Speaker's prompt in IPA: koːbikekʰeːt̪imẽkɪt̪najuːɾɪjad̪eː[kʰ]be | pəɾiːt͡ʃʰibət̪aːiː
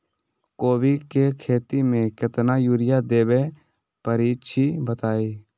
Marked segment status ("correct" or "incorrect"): incorrect